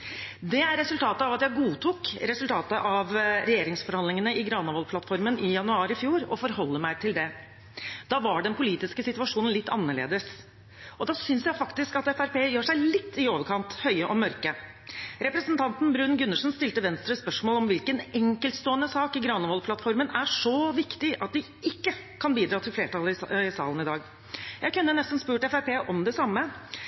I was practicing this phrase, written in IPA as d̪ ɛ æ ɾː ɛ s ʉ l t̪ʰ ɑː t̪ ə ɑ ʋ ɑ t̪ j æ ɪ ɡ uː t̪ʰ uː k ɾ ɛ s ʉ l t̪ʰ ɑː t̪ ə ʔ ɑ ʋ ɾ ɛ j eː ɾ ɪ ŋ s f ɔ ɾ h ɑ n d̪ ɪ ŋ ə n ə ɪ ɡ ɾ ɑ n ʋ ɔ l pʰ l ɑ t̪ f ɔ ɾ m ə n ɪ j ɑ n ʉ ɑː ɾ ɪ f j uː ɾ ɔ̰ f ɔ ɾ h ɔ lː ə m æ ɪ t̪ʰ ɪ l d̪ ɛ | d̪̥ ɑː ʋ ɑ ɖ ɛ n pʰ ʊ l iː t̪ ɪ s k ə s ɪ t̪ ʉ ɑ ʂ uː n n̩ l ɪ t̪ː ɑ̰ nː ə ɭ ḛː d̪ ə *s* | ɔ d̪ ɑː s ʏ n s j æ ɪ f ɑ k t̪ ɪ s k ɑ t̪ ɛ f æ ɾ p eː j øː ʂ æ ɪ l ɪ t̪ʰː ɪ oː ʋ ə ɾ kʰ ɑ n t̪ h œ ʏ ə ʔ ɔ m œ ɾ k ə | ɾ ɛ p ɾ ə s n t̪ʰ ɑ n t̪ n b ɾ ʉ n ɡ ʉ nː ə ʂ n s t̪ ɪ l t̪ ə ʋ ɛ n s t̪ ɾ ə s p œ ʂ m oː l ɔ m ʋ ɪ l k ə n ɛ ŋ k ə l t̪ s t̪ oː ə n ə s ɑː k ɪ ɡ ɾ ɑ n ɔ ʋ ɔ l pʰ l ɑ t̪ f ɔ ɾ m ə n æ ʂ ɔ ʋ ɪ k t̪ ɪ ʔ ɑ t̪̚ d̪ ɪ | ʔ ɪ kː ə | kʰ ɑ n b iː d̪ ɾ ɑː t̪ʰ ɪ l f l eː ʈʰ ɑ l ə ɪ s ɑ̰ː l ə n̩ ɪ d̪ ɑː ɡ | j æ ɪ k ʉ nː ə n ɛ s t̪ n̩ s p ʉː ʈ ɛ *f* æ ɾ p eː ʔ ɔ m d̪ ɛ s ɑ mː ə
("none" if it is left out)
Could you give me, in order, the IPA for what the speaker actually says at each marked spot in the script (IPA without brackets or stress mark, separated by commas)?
s, f